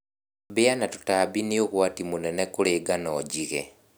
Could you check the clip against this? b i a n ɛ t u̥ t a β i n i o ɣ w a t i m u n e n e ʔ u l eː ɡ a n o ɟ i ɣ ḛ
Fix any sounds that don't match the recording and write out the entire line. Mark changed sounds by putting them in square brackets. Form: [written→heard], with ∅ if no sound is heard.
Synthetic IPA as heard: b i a n [ɛ→a] t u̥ t a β i n i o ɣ w a t i m u n e n e [ʔ→k] u l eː ɡ a n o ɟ i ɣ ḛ